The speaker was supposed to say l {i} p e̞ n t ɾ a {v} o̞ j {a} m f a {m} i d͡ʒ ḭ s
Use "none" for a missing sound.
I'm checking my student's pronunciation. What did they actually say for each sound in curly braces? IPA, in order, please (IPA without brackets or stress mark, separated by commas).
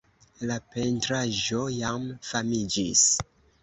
a, ʒ, a, m